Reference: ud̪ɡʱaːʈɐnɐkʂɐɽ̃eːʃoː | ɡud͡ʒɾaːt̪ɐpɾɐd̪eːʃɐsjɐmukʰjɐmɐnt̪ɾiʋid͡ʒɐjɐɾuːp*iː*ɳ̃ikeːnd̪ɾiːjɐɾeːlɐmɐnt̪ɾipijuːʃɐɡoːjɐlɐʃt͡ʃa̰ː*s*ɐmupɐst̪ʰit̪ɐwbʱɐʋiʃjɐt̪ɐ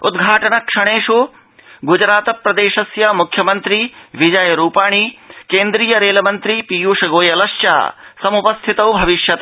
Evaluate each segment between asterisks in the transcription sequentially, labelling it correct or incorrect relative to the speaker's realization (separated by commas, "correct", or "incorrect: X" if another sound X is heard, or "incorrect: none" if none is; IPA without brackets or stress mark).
incorrect: aː, correct